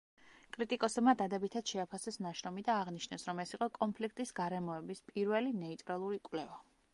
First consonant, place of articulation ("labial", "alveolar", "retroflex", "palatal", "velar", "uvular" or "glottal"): velar